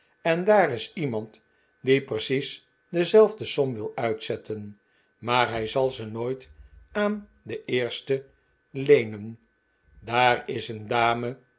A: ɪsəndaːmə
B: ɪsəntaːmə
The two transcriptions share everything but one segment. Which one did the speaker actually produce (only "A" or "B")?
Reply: A